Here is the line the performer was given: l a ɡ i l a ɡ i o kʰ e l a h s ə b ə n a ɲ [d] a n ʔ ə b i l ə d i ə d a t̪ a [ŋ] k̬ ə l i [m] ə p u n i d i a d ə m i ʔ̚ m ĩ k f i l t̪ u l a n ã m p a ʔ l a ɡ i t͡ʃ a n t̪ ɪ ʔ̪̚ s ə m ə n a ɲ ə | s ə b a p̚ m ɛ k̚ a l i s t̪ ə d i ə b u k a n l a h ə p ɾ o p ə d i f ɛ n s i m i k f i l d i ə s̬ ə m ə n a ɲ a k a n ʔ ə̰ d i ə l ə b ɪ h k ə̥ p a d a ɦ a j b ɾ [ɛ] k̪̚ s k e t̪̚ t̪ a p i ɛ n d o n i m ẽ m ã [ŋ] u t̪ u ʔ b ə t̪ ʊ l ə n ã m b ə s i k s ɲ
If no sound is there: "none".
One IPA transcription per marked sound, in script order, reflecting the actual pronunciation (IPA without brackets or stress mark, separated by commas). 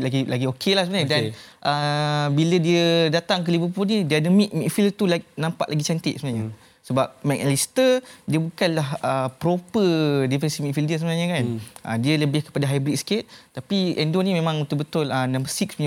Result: d, ŋ, b, i, ŋ